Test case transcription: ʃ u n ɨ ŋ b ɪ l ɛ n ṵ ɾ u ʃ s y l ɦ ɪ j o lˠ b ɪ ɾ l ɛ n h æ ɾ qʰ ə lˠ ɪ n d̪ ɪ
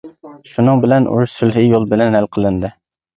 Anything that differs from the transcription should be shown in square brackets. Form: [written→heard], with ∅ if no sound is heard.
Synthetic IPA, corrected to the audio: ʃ u n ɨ ŋ b ɪ l ɛ n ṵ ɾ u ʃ s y l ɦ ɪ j o lˠ b ɪ [ɾ→∅] l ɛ n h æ [ɾ→l] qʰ ə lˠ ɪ n d̪ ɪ